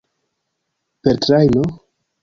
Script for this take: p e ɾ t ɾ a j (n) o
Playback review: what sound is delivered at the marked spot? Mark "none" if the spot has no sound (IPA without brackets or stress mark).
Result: n